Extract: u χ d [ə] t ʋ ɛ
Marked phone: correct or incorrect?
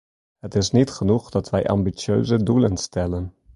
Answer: incorrect